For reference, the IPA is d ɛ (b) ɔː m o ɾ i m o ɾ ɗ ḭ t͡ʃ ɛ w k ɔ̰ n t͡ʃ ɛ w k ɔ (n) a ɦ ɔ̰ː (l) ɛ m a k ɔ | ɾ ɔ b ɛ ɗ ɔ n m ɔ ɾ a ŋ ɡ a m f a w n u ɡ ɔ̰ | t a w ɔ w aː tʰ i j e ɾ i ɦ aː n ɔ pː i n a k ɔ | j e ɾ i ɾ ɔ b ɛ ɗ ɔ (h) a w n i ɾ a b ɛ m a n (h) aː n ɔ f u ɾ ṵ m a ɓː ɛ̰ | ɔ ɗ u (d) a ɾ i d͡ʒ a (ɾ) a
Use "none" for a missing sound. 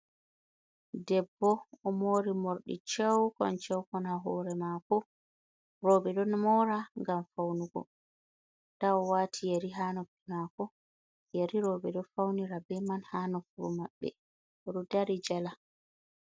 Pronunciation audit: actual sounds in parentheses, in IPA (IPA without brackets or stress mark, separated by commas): bː, n, ɾ, f, h, d, l